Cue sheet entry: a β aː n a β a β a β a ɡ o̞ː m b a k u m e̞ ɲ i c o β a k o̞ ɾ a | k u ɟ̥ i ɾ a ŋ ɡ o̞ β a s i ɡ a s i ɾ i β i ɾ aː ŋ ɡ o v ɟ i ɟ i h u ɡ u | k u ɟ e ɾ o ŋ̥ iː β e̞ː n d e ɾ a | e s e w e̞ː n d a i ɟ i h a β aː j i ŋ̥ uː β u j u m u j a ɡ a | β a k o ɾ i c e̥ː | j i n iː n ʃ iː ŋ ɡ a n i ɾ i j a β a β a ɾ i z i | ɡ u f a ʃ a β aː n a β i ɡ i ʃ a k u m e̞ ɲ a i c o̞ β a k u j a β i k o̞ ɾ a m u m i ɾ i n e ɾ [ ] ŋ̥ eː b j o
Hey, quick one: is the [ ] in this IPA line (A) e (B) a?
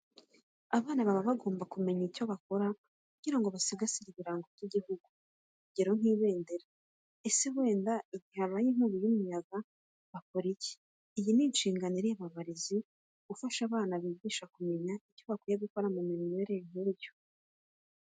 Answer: A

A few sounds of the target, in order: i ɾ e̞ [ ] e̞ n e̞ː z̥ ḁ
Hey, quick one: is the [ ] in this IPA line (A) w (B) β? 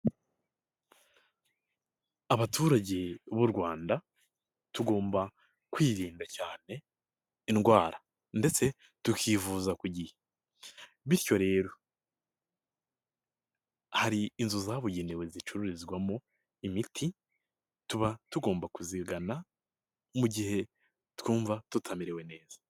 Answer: A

